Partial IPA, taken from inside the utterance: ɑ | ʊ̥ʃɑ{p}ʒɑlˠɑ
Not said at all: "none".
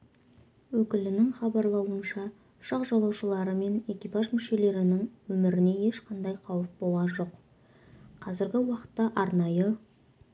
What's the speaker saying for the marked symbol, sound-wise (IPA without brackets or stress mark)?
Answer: q